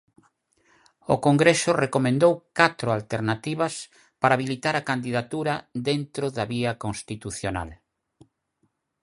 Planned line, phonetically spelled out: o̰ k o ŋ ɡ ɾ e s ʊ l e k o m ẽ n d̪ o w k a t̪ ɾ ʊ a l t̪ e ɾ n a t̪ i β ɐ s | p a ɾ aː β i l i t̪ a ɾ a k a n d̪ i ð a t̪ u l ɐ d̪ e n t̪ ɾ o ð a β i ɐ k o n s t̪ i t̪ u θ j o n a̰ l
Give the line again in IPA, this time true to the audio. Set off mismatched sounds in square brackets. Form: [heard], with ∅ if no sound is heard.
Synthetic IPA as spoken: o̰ k o ŋ ɡ ɾ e s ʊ [r] e k o m ẽ n d̪ o w k a t̪ ɾ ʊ a l t̪ e ɾ n a t̪ i β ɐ s | p a ɾ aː β i l i t̪ a ɾ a k a n d̪ i ð a t̪ u [ɾ] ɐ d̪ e n t̪ ɾ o ð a β i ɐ k o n s t̪ i t̪ u θ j o n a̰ l